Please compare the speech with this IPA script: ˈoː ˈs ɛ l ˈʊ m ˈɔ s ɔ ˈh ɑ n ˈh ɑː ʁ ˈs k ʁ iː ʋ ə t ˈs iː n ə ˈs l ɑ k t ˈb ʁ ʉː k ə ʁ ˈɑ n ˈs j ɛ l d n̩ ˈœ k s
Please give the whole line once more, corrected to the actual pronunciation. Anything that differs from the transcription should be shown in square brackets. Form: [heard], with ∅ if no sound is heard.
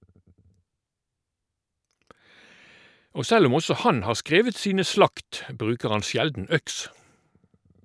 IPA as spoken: ˈoː ˈs ɛ l ˈʊ m ˈɔ s ɔ ˈh ɑ n ˈh ɑː ʁ ˈs k ʁ [eː] ʋ ə t ˈs iː n ə ˈs l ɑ k t ˈb ʁ ʉː k ə ʁ ˈɑ n ˈs j ɛ l d n̩ ˈœ k s